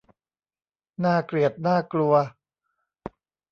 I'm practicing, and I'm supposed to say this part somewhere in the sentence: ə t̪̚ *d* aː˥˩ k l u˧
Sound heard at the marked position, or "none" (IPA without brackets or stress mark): n